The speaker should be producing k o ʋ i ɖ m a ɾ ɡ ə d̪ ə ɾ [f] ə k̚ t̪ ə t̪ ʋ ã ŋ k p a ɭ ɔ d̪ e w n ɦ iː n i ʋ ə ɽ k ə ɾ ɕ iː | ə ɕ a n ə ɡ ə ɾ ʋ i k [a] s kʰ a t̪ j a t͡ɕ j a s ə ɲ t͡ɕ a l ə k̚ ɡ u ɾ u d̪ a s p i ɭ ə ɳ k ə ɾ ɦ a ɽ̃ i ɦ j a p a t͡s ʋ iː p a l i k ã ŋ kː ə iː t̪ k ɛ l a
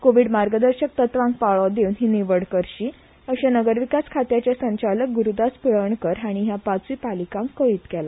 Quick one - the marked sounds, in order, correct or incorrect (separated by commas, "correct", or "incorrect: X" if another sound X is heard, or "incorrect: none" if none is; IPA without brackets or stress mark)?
incorrect: ɕ, correct